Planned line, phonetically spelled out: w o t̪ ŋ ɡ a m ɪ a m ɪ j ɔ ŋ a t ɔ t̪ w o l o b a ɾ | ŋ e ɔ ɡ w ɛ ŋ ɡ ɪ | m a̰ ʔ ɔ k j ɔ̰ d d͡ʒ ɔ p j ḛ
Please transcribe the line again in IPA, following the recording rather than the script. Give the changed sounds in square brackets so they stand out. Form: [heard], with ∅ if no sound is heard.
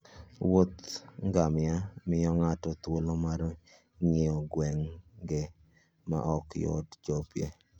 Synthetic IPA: w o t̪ ŋ ɡ a m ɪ a m ɪ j ɔ ŋ a t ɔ t̪ w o l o [m] a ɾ | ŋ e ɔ ɡ w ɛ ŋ ɡ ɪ | m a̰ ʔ ɔ k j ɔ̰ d d͡ʒ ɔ p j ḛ